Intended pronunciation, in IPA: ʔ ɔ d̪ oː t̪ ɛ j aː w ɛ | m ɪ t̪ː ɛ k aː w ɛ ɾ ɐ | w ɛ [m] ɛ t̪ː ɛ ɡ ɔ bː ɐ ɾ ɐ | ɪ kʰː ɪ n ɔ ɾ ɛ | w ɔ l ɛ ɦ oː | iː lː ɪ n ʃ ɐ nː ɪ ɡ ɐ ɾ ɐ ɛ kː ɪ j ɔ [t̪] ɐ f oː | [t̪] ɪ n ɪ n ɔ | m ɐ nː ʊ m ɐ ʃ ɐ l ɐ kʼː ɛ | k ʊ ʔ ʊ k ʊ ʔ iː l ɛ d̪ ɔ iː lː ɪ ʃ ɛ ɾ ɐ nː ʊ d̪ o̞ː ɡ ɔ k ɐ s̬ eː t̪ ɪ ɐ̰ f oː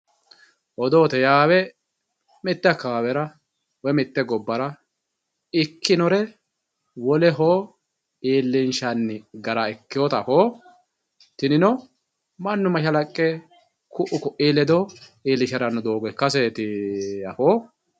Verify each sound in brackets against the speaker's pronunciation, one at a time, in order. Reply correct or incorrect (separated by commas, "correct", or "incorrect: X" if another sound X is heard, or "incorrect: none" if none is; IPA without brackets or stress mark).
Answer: correct, correct, correct